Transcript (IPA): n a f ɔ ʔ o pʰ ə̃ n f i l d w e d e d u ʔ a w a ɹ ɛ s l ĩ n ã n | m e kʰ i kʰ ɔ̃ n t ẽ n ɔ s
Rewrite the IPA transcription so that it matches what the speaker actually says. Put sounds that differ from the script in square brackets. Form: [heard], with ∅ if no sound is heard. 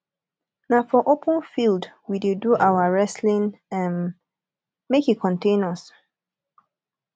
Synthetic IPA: n a f ɔ ʔ o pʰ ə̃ n f i l d w [i] d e d u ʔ a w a ɹ ɛ s l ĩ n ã n | m e [k] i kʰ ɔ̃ n t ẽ n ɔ s